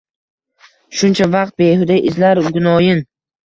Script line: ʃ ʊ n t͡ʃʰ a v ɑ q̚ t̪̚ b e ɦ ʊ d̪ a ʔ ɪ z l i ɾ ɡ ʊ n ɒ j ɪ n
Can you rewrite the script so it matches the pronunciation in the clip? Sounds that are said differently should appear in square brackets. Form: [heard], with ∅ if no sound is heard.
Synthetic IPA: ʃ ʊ n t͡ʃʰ a v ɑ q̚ t̪̚ b e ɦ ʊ d̪ a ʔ ɪ z l [a] ɾ ɡ ʊ n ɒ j ɪ n